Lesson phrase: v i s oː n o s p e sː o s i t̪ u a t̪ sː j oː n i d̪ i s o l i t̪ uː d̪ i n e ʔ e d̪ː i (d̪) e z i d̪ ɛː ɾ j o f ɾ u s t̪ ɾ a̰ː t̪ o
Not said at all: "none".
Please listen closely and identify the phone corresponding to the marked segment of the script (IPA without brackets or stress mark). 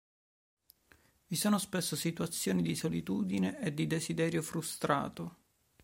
d̪